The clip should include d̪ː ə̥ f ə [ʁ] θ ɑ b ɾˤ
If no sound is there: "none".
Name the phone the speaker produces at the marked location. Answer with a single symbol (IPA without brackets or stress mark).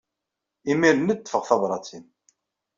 ʁ